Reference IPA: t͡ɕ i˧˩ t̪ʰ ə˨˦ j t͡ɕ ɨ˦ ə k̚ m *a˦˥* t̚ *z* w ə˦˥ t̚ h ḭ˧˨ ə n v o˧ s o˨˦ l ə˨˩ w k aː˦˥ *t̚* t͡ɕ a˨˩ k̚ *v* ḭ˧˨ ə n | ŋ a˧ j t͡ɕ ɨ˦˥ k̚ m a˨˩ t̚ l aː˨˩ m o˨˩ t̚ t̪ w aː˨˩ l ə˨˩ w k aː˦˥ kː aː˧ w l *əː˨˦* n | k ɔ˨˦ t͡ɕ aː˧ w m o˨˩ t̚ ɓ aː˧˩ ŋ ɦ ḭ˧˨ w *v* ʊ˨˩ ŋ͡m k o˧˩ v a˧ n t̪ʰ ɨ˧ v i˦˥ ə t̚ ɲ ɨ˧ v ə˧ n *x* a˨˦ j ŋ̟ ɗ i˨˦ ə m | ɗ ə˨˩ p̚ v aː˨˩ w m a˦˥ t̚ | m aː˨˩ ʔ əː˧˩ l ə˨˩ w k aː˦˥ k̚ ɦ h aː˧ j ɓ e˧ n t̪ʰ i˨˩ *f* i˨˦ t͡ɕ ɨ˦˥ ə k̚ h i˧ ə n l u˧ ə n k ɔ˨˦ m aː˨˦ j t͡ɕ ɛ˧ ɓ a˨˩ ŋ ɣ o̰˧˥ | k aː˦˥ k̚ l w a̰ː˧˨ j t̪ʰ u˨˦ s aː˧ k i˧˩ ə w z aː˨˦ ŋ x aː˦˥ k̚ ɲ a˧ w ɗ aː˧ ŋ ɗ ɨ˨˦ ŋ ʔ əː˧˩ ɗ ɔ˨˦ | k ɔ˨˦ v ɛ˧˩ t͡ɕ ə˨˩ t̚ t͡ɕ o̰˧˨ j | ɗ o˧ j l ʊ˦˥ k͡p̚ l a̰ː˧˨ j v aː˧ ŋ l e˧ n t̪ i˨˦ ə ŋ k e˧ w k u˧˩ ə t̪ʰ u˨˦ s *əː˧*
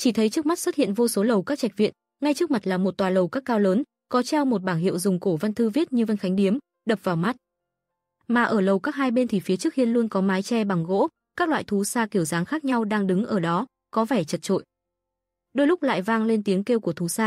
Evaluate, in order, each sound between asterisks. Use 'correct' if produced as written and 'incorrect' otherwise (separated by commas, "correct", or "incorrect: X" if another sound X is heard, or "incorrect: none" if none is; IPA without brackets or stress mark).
correct, incorrect: s, incorrect: k̚, correct, correct, incorrect: z, correct, correct, incorrect: aː˧